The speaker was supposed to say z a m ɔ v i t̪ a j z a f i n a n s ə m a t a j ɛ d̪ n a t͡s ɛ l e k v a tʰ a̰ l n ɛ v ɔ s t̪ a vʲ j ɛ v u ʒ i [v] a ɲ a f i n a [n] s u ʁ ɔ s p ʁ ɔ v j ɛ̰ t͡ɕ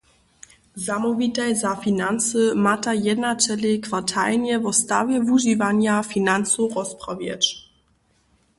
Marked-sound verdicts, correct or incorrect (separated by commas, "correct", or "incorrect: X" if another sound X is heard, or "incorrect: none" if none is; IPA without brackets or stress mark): correct, correct